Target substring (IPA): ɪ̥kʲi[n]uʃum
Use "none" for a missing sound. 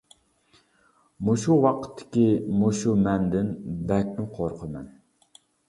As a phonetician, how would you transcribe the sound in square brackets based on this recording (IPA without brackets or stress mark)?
m